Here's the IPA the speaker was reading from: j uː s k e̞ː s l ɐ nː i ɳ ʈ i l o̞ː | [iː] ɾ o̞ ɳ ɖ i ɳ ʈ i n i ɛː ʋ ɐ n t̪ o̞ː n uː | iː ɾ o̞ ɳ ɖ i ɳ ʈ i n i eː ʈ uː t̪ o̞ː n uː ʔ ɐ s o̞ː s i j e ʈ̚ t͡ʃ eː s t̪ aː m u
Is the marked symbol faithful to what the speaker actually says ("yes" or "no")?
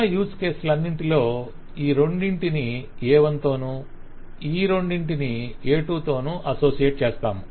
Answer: yes